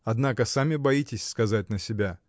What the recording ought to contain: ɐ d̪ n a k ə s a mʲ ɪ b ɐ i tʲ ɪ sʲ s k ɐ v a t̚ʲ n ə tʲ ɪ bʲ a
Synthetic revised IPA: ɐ d̪ n a k ə s a mʲ ɪ b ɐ i tʲ ɪ sʲ s k ɐ z a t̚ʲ n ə sʲ ɪ bʲ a